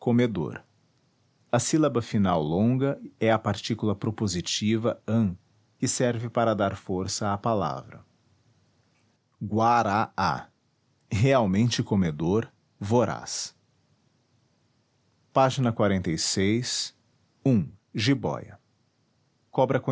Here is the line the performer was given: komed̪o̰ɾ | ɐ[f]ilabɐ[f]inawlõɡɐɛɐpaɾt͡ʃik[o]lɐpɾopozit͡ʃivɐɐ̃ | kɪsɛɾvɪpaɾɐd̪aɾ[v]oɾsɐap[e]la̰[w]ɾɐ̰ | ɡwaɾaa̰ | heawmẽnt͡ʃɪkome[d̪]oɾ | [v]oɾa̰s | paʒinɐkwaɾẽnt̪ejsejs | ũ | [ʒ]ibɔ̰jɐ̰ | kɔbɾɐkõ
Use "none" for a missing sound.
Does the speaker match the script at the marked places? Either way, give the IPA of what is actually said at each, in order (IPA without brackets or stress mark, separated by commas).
s, f, u, f, a, v, d̪, v, ʒ